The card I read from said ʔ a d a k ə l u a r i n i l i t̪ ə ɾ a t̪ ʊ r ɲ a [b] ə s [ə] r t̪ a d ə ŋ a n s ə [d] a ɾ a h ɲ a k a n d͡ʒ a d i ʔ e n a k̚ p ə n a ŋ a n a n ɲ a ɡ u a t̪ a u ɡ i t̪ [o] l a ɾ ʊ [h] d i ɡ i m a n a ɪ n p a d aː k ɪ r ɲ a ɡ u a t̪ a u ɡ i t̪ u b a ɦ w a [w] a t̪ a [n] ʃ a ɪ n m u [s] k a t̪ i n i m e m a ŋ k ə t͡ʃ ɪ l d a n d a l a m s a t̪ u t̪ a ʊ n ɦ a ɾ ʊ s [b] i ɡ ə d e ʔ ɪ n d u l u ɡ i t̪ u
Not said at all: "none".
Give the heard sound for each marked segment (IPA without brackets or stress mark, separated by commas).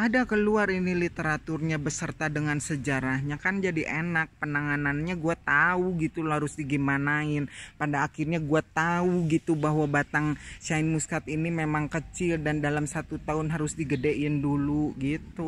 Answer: b, ə, d͡ʒ, u, s, b, ŋ, s, d